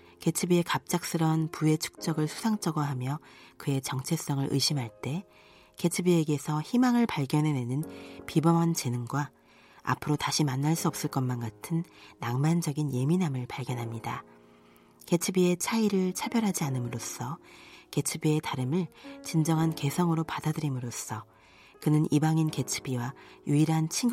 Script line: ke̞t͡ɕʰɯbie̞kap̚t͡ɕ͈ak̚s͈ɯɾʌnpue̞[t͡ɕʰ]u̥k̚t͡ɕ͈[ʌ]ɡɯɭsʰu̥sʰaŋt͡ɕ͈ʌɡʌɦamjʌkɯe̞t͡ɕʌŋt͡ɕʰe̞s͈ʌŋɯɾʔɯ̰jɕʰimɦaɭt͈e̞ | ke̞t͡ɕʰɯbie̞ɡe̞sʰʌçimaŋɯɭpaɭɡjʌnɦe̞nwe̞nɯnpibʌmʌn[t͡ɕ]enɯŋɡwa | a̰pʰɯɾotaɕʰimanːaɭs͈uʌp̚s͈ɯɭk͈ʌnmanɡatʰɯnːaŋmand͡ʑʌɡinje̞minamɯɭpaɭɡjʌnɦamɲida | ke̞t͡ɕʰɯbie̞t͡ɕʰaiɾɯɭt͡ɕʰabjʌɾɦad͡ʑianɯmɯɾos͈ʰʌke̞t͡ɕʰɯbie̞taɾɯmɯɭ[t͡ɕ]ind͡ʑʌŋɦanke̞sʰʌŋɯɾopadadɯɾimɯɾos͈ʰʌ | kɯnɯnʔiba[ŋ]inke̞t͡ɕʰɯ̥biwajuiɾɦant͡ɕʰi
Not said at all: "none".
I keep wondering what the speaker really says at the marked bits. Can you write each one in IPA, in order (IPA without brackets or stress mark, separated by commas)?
t͡ɕʰ, ʌ, t͡ɕ, t͡ɕ, ŋ